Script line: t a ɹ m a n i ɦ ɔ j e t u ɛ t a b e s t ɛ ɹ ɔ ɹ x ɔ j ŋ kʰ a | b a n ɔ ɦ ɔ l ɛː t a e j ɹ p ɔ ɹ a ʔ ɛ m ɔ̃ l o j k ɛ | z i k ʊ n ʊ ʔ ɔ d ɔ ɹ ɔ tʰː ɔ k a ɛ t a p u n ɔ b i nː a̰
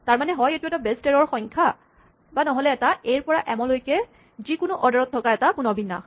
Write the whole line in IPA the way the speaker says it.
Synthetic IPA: t a ɹ m a n ɛ ɦ ɔ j e t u ɛ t a b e s t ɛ ɹ ɔ ɹ x ɔ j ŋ kʰ a | b a n ɔ ɦ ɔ l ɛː t a e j ɹ p ɔ ɹ a ʔ ɛ m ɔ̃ l o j k ɛ | z i k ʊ n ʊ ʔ ɔ d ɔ ɹ ɔ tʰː ɔ k a ɛ t a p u n ɔ b i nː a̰